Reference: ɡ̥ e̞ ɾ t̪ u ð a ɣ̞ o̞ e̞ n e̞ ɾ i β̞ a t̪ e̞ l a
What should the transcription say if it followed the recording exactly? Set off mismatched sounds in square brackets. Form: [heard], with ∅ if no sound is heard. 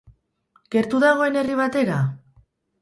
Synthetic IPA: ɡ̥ e̞ ɾ t̪ u ð a ɣ̞ o̞ e̞ n e̞ [r] i β̞ a t̪ e̞ [ɾ] a

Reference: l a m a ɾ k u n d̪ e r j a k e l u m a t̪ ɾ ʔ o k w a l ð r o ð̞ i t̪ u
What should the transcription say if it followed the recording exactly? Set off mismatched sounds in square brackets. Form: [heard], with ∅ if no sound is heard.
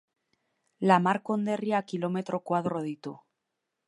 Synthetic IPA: l a m a ɾ k [o] n d̪ e r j a k [i] l [o] m [e] t̪ ɾ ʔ o k w a [∅] ð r o ð̞ i t̪ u

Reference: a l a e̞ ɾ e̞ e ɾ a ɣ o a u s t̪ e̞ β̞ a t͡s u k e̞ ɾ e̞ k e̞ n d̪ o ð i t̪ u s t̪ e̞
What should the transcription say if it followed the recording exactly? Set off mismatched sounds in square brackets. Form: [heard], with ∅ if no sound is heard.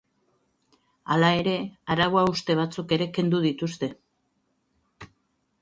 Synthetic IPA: a l a e̞ ɾ e̞ [a] ɾ a ɣ o a u s t̪ e̞ β̞ a t͡s u k e̞ ɾ e̞ k e̞ n d̪ [u] ð i t̪ u s t̪ e̞

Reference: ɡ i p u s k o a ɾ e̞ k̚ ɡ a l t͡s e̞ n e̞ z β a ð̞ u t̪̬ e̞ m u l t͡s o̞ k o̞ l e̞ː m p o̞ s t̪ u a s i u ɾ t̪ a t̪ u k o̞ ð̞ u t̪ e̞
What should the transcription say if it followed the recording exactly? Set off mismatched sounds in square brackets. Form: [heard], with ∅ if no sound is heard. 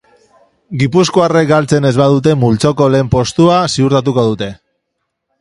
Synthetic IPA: ɡ i p u s k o a [r] e̞ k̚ ɡ a l t͡s e̞ n e̞ z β a ð̞ u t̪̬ e̞ m u l t͡s o̞ k o̞ l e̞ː m p o̞ s t̪ u a s i u ɾ t̪ a t̪ u k o̞ ð̞ u t̪ e̞

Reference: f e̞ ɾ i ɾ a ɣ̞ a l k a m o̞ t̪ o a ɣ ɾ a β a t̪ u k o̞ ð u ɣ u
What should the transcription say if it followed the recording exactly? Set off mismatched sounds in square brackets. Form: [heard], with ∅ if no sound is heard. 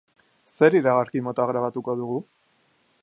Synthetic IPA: [s] e̞ ɾ i ɾ a ɣ̞ a [ɾ] k [i] m o̞ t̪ o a ɣ ɾ a β a t̪ u k o̞ ð u ɣ u

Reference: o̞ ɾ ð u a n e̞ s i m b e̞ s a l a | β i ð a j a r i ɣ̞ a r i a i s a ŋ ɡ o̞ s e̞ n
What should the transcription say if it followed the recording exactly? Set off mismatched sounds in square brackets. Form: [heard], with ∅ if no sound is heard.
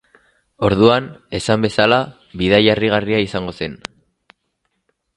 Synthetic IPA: o̞ ɾ ð u a n e̞ s [a] m b e̞ s a l a | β i ð a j a r i ɣ̞ a r i a i s a ŋ ɡ o̞ s e̞ n

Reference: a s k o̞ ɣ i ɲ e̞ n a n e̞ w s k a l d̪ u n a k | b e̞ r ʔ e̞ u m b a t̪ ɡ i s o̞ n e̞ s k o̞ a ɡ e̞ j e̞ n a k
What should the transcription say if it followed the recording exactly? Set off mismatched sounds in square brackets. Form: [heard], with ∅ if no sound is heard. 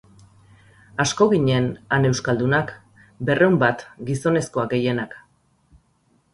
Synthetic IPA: a s k o̞ ɣ i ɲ e̞ n a n e̞ w s k a l d̪ u n a k | b e̞ r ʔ e̞ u m b a t̪ ɡ i s o̞ n e̞ s k o̞ a ɡ e̞ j e̞ n a k

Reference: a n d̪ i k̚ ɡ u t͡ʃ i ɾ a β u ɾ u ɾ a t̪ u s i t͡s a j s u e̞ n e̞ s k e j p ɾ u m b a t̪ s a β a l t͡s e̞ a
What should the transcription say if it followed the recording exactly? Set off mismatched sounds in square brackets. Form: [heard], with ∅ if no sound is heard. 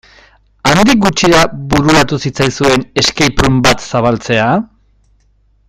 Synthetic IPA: a n d̪ i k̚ ɡ u t͡ʃ i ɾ a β u ɾ u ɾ a t̪ u s i t͡s a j s u e̞ n e̞ s k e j p ɾ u m b a t̪ s a β a l t͡s e̞ a

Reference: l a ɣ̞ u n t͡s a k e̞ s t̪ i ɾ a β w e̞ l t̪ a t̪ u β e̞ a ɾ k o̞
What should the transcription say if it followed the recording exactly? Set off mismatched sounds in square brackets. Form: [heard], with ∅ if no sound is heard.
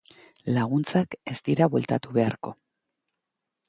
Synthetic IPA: l a ɣ̞ u n t͡s a k e̞ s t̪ i ɾ a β w e̞ l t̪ a t̪ u β e̞ a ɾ k o̞

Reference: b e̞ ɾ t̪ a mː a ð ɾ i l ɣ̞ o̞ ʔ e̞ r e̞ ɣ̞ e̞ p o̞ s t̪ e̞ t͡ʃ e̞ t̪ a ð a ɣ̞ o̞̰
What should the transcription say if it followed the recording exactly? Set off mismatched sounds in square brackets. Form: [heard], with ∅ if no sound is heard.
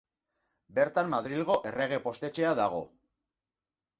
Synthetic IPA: b e̞ ɾ t̪ a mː a ð ɾ i l ɣ̞ o̞ ʔ e̞ r e̞ ɣ̞ e̞ p o̞ s t̪ e̞ t͡ʃ e̞ [∅] a ð a ɣ̞ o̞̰

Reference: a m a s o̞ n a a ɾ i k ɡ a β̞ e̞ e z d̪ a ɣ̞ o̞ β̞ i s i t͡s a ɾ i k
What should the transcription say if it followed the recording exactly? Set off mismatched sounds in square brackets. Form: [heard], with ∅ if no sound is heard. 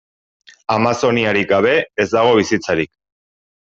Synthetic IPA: a m a s o̞ n [i] a ɾ i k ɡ a β̞ e̞ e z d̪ a ɣ̞ o̞ β̞ i s i t͡s a ɾ i k

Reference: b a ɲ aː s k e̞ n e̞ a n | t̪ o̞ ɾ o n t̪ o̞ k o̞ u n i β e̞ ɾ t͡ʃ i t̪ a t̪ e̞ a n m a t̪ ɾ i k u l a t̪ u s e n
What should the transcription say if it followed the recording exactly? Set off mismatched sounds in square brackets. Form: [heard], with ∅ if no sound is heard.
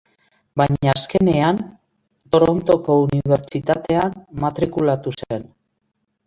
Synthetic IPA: b a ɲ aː s k e̞ n e̞ a n | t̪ o̞ ɾ o n t̪ o̞ k o̞ u n i β e̞ ɾ t͡ʃ i t̪ a t̪ e̞ a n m a t̪ ɾ i k u l a t̪ u s e n

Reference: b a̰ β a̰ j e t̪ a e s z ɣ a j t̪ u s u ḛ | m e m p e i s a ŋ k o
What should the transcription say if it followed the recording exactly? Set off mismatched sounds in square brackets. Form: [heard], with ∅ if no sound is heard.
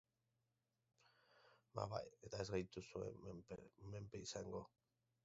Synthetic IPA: [m] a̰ β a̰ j e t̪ a e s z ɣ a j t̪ u s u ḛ | m e m p e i s a ŋ [ɡ] o

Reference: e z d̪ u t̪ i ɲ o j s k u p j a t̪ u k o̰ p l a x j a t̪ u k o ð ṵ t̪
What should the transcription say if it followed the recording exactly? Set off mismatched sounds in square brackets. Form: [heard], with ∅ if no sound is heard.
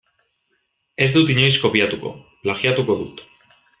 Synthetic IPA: e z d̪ u t̪ i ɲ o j s k [o] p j a t̪ u k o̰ p l a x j a t̪ u k o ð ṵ t̪

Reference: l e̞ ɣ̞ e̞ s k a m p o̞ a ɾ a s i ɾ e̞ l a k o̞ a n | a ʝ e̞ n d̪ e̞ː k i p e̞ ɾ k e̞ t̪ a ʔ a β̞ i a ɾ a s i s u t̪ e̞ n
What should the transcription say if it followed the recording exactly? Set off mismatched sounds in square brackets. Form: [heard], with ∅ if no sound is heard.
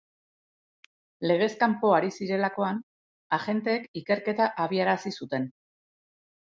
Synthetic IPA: l e̞ ɣ̞ e̞ s k a m p o̞ a ɾ [i] s i ɾ e̞ l a k o̞ a n | a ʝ e̞ n [t̪] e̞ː k i [k] e̞ ɾ k e̞ t̪ a ʔ a β̞ i a ɾ a s i s u t̪ e̞ n

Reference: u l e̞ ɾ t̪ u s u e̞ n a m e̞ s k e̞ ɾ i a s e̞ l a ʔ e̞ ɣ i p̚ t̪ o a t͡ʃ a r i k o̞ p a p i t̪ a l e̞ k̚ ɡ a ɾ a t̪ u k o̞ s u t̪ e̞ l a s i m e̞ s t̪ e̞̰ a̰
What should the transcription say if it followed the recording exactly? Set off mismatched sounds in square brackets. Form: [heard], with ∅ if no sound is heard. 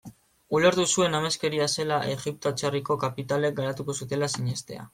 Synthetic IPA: u l e̞ ɾ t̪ u s u e̞ n a m e̞ s k e̞ ɾ i a s e̞ l a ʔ e̞ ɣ i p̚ t̪ o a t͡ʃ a r i k o̞ [k] a p i t̪ a l e̞ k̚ ɡ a ɾ a t̪ u k o̞ s u t̪ e̞ l a s i [ɲ] e̞ s t̪ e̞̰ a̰

